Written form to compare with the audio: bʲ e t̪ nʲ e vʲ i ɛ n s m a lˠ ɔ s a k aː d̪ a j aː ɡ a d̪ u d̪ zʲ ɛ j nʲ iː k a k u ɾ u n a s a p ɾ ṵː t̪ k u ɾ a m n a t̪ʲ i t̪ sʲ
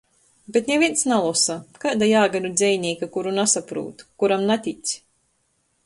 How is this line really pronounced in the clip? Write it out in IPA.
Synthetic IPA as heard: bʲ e t̪ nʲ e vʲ i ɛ n s n a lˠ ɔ s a k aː d̪ a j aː ɡ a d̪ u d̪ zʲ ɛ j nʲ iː k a k u ɾ u n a s a p ɾ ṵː t̪ k u ɾ a m n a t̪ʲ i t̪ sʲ